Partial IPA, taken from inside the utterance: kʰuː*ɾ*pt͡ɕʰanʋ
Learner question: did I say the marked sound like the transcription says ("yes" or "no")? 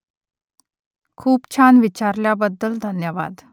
no